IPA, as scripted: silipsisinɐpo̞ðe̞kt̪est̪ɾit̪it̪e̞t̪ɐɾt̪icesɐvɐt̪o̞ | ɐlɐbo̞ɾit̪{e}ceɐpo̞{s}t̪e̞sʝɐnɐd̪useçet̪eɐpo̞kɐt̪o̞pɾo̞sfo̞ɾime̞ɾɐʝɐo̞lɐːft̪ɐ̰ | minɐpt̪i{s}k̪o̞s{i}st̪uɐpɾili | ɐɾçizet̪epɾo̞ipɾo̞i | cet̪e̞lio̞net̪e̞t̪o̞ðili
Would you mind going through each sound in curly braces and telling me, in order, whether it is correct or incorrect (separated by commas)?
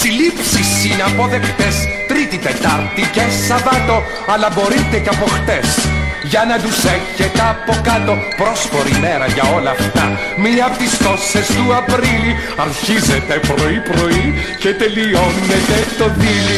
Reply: correct, incorrect, correct, incorrect